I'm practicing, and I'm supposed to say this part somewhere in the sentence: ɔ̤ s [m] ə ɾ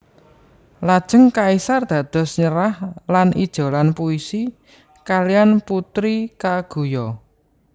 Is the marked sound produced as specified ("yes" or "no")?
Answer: no